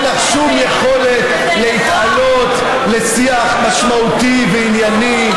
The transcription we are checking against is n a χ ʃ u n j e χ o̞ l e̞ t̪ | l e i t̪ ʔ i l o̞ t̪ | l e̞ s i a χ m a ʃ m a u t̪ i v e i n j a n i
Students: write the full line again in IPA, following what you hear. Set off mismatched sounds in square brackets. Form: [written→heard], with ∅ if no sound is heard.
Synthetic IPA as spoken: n a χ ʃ u [n→m] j e χ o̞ l e̞ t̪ | l e i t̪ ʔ [i→a] l o̞ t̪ | l e̞ s i a χ m a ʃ m a u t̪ i v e i n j a n i